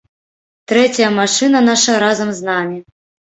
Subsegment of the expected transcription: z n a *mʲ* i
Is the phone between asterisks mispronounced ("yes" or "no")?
no